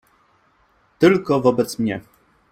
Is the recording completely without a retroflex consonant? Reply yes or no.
yes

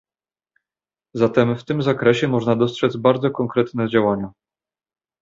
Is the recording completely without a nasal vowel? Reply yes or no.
yes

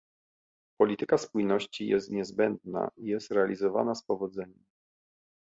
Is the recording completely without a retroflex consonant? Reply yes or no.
yes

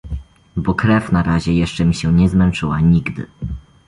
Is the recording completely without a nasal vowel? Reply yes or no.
yes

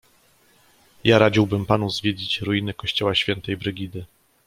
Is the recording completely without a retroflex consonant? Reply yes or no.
yes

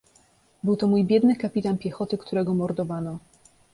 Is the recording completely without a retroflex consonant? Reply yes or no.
yes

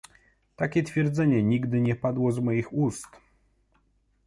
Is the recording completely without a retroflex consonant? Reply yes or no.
yes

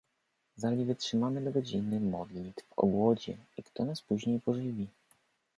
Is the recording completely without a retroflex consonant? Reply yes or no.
no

